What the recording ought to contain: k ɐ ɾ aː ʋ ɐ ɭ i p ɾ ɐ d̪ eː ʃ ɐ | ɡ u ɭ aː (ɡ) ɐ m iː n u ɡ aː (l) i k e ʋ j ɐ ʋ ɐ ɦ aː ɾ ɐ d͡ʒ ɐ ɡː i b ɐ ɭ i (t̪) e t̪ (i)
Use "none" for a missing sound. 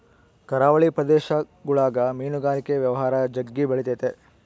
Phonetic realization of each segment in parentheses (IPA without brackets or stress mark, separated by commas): ɡ, l, t̪, e